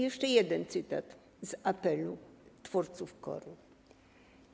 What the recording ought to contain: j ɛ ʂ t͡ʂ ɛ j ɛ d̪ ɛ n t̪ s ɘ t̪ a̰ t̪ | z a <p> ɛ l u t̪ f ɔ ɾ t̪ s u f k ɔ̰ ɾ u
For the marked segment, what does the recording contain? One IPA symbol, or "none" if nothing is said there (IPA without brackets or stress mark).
p